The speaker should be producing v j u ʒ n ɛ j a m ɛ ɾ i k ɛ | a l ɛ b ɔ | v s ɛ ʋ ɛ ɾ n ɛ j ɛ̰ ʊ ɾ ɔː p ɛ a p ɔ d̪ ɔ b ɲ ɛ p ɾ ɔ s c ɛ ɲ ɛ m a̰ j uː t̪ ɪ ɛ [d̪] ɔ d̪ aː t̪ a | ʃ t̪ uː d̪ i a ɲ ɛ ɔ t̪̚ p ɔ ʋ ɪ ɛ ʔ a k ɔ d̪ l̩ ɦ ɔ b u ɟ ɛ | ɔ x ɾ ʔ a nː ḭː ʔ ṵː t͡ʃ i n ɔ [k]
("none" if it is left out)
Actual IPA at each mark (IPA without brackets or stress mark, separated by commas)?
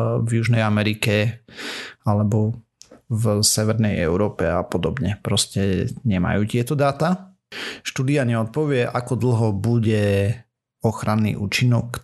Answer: t̪, k